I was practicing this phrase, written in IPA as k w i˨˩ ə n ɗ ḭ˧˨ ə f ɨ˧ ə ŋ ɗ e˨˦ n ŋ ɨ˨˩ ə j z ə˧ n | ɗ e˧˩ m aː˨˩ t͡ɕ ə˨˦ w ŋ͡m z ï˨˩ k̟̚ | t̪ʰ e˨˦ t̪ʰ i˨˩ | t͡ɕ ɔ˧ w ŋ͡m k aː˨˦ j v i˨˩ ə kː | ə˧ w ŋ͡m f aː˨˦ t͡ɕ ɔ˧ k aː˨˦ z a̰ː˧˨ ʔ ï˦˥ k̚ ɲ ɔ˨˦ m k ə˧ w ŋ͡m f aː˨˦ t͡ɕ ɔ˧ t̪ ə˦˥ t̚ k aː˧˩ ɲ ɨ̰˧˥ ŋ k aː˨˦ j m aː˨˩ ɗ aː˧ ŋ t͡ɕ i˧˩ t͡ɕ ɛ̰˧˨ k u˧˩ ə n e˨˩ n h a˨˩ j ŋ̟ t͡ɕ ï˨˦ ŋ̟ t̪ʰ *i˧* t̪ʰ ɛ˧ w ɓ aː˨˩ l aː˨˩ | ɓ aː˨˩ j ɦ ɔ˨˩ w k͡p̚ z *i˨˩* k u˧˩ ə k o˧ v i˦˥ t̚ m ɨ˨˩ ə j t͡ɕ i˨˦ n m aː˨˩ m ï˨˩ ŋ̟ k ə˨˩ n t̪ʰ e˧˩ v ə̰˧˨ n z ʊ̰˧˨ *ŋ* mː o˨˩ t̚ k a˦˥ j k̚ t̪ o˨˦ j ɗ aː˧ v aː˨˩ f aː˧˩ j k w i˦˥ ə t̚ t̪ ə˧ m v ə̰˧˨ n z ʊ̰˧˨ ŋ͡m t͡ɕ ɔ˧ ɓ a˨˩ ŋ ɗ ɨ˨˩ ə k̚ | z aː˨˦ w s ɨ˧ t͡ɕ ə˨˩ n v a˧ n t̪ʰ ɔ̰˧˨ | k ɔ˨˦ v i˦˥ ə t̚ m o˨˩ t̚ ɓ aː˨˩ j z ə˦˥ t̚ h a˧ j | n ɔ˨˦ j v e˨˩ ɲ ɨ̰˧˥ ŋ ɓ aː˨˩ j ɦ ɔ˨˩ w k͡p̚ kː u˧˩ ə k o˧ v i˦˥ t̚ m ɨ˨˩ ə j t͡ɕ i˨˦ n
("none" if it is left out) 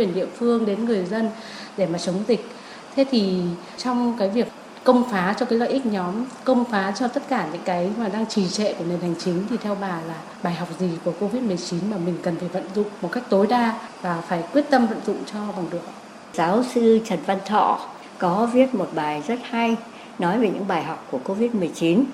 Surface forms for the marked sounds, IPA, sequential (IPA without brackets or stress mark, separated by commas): i˨˩, i˨˩, ŋ͡m